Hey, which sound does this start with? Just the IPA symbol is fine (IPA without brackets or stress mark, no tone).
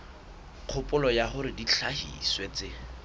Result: q͡χʰ